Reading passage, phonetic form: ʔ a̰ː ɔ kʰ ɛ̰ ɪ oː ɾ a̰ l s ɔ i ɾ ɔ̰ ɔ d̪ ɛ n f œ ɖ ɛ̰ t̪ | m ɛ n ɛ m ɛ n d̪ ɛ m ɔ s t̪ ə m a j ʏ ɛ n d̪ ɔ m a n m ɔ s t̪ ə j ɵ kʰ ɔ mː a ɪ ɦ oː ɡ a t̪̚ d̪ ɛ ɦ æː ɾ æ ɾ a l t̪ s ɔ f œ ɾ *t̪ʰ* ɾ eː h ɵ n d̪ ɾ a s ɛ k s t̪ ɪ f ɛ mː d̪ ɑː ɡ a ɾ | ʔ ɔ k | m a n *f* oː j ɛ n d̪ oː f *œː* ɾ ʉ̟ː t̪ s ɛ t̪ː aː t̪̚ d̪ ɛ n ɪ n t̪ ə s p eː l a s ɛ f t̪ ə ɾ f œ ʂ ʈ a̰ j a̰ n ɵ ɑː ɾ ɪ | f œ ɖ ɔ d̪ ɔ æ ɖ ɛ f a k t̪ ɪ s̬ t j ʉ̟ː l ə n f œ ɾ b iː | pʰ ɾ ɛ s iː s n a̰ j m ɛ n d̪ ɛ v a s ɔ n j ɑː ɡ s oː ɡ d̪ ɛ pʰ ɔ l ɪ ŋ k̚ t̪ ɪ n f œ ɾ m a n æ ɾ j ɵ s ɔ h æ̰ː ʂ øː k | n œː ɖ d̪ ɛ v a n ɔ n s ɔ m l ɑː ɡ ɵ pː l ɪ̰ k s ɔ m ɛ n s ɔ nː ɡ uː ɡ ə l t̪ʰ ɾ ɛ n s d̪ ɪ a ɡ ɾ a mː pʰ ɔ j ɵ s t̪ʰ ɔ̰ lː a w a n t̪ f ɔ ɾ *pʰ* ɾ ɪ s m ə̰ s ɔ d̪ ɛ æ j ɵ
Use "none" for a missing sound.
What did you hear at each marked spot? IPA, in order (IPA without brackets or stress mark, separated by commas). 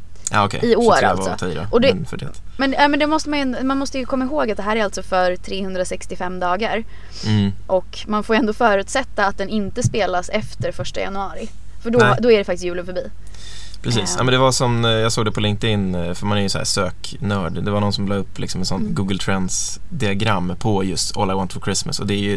t̪ʰ, f, œː, kʰ